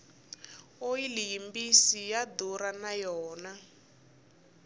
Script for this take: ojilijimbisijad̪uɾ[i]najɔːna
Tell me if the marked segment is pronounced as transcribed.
no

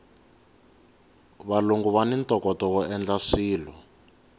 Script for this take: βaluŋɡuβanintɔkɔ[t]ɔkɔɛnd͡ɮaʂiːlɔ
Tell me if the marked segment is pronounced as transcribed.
yes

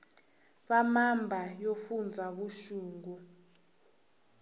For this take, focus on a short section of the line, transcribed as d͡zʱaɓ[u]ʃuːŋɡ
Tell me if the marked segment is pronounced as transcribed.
yes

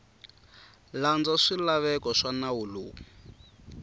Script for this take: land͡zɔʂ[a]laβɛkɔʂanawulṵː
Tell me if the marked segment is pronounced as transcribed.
no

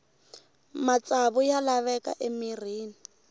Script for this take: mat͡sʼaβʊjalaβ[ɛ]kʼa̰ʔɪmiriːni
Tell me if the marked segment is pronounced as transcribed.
yes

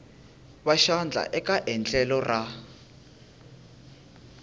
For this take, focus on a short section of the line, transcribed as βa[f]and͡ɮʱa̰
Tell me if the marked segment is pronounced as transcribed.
no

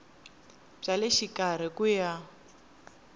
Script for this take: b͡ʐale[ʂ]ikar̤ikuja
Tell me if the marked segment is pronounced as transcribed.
no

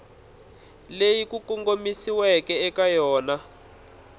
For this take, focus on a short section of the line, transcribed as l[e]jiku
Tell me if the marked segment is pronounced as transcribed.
yes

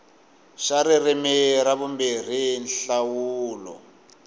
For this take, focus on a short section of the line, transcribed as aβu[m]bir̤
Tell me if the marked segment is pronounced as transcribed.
yes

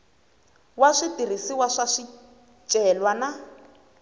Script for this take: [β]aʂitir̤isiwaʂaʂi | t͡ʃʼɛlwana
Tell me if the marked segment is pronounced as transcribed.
no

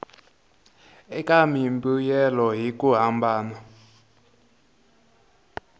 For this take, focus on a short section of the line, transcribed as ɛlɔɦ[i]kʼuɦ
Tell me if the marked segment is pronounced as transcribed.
yes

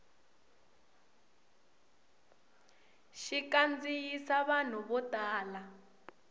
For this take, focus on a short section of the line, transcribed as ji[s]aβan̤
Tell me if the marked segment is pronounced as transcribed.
yes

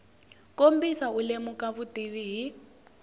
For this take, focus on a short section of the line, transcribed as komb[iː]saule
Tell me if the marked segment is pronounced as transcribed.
no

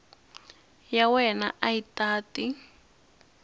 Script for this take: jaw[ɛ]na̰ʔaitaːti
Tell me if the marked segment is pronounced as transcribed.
yes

